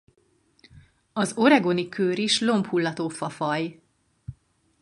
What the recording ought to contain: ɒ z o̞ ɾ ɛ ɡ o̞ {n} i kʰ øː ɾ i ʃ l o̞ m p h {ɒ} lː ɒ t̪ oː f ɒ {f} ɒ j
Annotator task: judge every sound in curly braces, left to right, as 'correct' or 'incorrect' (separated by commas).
correct, incorrect, correct